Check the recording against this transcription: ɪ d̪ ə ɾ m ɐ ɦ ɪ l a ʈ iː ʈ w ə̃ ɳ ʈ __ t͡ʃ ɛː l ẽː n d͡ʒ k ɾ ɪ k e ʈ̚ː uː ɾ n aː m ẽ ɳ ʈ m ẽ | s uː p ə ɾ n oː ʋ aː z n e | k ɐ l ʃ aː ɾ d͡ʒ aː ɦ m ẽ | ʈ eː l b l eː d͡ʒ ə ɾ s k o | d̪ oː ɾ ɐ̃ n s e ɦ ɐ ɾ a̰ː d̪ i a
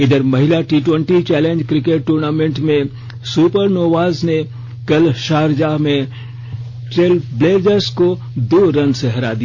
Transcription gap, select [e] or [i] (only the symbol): i